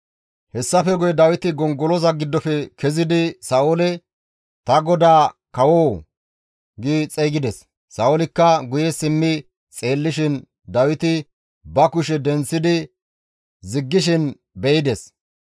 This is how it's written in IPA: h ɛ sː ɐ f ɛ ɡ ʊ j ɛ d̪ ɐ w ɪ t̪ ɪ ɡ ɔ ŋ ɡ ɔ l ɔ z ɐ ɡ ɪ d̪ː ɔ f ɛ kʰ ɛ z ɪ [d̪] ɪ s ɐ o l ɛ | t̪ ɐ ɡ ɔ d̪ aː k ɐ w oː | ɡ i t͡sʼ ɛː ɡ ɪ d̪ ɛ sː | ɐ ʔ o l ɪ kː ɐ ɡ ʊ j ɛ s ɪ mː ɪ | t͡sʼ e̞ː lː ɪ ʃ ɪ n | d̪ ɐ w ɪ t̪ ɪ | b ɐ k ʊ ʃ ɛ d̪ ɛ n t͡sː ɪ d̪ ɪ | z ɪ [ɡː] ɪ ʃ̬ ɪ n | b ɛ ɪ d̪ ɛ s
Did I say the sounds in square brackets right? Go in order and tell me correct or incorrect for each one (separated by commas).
correct, correct